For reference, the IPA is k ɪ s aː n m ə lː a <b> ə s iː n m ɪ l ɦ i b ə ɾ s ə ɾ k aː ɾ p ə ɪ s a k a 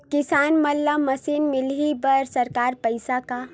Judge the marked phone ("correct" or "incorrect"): incorrect